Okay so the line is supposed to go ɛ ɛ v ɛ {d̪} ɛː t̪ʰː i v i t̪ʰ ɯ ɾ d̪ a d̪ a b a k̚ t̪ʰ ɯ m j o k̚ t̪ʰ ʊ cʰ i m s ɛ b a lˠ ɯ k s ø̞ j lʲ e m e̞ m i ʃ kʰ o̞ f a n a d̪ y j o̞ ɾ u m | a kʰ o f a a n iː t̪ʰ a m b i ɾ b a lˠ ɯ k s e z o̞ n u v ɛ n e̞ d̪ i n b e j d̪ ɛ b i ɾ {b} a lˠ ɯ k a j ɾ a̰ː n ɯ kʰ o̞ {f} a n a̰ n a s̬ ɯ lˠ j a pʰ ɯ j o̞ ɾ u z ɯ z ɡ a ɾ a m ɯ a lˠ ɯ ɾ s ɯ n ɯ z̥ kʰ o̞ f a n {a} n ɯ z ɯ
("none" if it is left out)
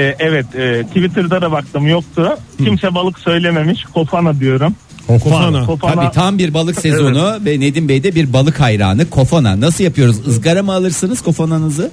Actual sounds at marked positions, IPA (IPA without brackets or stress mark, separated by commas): t̪, b, f, a